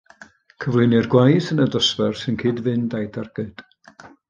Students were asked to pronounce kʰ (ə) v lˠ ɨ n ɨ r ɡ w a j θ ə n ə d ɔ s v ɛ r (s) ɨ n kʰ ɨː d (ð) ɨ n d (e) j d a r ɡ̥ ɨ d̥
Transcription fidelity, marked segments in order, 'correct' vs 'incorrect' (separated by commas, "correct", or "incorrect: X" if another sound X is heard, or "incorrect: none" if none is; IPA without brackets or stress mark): correct, correct, incorrect: v, incorrect: a